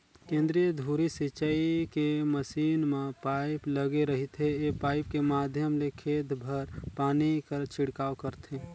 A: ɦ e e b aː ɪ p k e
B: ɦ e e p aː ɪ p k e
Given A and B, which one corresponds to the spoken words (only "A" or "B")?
B